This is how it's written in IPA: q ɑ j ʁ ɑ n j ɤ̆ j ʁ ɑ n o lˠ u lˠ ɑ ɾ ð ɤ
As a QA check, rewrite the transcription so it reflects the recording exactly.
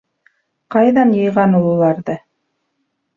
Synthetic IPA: q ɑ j ð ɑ n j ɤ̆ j ʁ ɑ n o lˠ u lˠ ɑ ɾ ð ɤ